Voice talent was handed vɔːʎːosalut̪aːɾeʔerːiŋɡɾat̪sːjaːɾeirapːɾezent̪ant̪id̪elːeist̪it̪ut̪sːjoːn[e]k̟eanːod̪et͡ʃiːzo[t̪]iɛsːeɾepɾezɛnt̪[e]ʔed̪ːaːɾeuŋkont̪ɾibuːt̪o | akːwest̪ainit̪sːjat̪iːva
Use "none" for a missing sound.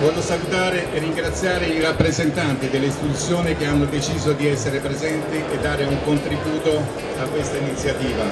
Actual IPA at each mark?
i, d̪, i

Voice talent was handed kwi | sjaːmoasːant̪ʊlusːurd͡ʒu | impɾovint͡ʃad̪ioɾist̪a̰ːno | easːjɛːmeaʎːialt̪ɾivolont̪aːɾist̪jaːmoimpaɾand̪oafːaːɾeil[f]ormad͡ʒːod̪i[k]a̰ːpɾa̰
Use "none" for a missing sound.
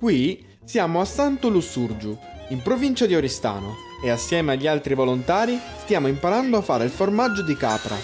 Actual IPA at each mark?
f, k

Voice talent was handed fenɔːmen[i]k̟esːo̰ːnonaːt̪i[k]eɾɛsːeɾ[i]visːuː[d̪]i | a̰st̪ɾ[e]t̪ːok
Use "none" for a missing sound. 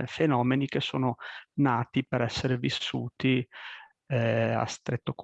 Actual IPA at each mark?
i, p, e, t̪, e

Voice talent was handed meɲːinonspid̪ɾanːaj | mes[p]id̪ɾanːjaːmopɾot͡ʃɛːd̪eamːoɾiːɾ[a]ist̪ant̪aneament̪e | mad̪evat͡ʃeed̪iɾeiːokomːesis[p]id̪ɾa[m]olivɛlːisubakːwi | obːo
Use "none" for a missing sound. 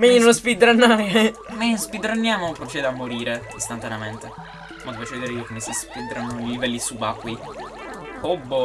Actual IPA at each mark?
p, e, p, n

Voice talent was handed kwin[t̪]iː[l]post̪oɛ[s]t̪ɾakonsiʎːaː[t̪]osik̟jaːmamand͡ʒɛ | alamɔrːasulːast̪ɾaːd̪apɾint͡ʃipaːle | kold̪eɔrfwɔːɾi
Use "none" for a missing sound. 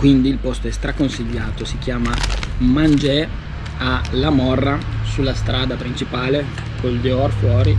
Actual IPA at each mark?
d̪, l, s, t̪

